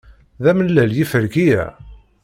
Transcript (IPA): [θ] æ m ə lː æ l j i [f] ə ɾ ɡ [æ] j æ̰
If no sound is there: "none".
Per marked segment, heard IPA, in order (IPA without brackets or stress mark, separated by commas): ð, f, i